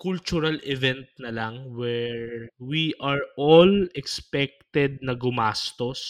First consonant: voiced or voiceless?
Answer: voiceless